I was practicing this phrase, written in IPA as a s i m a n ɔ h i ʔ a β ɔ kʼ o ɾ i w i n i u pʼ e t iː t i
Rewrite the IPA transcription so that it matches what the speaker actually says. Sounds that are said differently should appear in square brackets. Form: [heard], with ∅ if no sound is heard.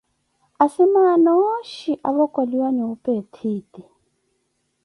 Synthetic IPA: a s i m a n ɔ [ʃ] i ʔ a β ɔ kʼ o [l] i w [a] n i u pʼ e [tʰ] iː t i